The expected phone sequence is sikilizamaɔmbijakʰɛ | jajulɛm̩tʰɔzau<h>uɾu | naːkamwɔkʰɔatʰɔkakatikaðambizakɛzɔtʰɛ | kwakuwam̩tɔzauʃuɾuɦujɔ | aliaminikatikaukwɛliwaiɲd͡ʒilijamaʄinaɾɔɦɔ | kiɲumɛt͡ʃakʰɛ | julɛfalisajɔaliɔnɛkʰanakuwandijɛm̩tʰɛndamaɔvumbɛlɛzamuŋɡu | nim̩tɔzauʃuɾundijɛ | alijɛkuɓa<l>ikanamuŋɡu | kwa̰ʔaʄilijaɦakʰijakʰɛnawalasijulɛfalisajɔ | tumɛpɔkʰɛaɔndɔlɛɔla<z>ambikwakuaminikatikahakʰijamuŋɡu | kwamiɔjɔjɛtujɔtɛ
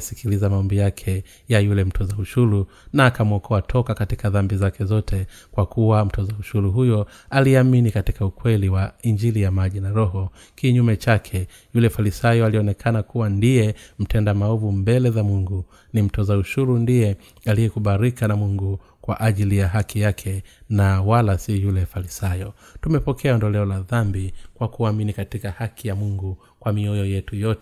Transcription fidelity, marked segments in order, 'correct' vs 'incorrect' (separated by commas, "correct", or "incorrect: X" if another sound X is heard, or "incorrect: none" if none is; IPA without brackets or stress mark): incorrect: ʃ, incorrect: ɾ, incorrect: ð